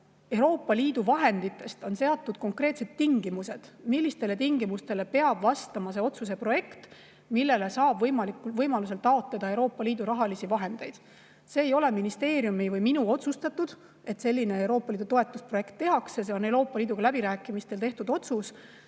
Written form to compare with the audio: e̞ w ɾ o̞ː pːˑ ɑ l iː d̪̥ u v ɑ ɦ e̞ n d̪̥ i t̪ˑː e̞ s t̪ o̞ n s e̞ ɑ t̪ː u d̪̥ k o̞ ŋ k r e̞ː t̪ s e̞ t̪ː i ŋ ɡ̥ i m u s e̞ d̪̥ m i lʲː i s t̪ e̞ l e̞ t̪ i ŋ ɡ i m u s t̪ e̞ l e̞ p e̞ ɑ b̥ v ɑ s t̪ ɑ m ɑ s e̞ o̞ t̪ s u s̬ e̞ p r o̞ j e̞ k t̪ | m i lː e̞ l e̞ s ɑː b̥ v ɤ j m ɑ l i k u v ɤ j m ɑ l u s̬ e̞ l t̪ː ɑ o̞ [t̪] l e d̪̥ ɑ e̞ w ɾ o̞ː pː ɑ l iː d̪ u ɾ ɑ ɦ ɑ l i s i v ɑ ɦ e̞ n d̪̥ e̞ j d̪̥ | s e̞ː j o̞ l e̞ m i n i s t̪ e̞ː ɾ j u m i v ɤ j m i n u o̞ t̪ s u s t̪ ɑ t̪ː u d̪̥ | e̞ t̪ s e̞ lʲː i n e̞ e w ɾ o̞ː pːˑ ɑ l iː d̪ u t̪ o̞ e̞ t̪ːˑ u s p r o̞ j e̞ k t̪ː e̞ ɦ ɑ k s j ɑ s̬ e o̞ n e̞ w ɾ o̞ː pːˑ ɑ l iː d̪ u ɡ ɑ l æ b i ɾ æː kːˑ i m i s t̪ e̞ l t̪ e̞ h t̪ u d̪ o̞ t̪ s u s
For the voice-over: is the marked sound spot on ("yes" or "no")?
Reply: yes